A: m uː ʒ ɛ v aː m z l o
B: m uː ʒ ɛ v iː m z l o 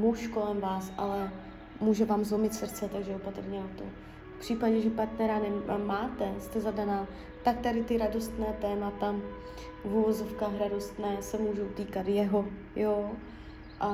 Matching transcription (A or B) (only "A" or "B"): A